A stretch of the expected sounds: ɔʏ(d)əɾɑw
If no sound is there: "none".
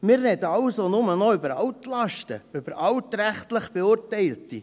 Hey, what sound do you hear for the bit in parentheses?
b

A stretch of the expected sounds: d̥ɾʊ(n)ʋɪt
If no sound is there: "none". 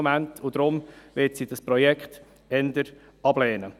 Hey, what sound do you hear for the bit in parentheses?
m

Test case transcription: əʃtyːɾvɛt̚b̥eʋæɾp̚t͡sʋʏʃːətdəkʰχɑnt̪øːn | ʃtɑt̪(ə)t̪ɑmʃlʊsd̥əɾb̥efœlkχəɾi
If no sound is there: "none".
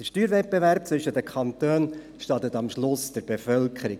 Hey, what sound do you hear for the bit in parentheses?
ə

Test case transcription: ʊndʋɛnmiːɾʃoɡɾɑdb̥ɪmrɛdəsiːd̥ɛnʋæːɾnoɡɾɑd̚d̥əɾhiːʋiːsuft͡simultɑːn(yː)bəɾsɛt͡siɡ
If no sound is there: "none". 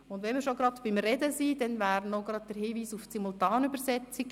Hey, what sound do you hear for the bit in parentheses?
y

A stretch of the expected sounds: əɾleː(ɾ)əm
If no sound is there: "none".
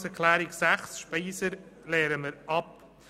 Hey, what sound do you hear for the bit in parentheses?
ɾ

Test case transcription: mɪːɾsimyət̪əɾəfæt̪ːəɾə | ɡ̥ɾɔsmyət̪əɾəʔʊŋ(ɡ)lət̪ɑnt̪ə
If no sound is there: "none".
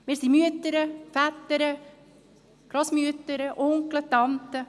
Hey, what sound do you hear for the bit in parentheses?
k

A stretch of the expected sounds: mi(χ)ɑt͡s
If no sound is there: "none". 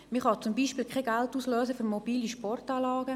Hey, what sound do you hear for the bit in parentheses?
χ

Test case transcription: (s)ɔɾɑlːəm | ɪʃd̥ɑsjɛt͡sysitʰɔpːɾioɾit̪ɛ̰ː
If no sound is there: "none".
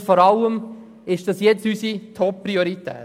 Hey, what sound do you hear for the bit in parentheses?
f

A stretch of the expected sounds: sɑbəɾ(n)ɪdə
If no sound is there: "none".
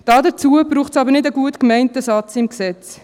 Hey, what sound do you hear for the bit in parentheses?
n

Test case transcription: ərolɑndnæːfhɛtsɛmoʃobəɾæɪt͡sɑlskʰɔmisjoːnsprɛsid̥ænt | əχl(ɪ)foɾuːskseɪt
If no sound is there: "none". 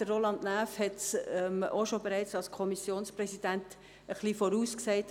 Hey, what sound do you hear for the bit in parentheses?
i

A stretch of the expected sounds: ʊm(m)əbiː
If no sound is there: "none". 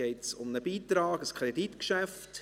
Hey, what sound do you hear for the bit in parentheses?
n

